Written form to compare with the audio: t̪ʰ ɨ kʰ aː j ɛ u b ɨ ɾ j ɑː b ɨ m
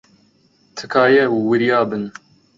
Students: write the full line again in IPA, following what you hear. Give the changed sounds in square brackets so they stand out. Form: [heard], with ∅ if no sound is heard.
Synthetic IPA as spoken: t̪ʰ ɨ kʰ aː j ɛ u [w] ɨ ɾ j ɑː b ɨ [n]